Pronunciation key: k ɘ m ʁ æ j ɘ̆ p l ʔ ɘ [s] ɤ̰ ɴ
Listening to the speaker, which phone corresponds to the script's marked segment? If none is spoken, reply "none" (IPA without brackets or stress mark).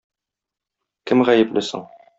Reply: s